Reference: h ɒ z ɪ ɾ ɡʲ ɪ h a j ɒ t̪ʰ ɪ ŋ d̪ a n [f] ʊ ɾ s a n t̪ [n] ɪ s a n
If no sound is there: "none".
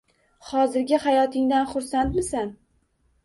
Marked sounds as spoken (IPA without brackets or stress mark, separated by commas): χ, m